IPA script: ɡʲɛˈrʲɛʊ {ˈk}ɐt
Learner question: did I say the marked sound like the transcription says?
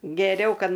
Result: yes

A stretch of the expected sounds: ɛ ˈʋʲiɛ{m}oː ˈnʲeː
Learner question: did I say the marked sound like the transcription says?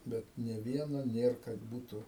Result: no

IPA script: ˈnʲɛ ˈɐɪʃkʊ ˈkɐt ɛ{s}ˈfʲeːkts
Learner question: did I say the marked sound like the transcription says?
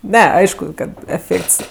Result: no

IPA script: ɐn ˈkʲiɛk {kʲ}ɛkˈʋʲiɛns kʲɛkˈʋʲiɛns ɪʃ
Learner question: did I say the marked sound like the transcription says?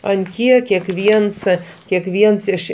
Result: yes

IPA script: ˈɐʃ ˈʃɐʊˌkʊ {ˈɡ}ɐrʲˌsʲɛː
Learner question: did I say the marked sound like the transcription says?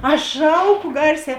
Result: yes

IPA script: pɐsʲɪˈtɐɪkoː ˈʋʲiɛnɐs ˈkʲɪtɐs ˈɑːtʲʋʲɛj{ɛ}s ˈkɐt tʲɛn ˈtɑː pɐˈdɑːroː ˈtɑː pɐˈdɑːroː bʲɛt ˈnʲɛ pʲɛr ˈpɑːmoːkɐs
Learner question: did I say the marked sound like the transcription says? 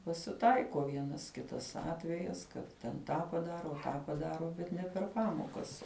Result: yes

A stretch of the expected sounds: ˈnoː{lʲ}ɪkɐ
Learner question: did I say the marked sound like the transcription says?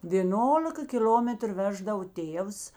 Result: yes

